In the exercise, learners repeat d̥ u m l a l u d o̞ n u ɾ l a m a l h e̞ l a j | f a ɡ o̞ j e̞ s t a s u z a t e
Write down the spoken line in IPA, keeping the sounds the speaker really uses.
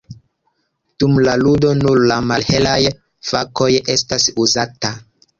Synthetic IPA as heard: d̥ u m l a l u d o̞ n u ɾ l a m a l h e̞ l a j | f a k o̞ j e̞ s t a s u z a t a